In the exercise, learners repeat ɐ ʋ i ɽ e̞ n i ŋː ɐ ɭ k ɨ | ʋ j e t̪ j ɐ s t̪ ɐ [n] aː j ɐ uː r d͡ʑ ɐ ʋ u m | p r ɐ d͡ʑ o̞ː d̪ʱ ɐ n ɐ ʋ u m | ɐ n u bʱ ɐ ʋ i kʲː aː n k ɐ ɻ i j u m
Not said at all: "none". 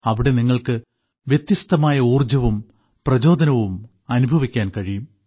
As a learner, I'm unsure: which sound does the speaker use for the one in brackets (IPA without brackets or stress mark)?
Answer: m